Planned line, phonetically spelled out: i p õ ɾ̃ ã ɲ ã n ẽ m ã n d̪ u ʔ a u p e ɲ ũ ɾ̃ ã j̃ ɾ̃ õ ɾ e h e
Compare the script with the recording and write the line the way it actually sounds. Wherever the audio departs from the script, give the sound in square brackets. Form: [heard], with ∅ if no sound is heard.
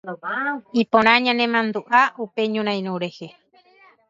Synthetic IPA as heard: i p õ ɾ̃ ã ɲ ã n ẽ m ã n d̪ u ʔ a u p e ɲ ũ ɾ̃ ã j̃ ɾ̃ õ ɾ e h e